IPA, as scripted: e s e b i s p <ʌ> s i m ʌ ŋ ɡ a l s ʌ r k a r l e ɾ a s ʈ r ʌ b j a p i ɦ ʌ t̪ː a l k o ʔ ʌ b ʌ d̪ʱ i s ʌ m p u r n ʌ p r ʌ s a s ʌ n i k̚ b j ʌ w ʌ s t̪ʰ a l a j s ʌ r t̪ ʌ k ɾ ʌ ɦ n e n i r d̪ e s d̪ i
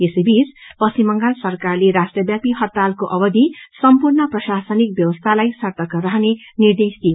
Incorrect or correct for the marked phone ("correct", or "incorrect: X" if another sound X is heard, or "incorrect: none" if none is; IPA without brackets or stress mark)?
correct